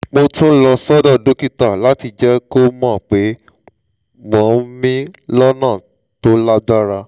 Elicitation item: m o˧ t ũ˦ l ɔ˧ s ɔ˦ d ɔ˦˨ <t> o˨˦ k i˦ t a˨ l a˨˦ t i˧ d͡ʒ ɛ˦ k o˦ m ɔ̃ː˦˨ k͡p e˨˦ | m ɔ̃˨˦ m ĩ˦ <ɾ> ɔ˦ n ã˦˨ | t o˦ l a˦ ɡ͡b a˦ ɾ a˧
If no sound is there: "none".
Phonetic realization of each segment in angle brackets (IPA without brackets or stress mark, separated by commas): d, l